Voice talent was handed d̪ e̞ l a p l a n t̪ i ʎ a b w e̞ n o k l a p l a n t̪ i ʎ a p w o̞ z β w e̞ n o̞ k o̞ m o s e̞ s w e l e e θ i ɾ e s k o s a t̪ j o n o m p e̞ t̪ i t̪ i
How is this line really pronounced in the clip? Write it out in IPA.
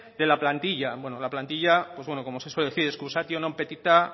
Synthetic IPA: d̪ e̞ l a p l a n t̪ i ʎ a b w e̞ n o l a p l a n t̪ i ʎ a p w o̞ z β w e̞ n o̞ k o̞ m o s e̞ s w e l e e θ i ɾ e s k u s a t̪ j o n o m p e̞ t̪ i t̪ a